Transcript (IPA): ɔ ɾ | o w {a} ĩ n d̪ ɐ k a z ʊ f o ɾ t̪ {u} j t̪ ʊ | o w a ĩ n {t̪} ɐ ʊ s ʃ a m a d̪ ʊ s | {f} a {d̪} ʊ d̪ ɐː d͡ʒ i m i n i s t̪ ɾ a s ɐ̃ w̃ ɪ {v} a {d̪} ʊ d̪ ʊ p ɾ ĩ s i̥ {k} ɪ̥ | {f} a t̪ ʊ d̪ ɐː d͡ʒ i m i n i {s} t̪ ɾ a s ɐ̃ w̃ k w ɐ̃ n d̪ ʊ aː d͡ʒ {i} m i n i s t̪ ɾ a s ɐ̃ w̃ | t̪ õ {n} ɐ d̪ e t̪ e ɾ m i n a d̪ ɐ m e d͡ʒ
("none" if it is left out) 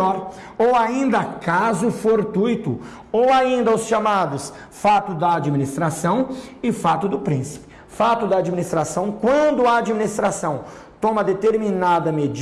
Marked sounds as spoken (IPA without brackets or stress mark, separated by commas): a, u, d̪, f, t̪, f, t̪, p, f, s, i, m